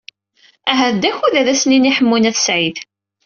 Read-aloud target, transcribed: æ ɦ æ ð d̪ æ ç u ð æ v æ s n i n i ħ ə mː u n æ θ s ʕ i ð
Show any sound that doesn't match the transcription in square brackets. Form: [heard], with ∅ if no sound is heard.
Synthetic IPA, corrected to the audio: æ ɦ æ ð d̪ æ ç u ð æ [ð] æ s n i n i ħ ə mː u n æ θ s ʕ i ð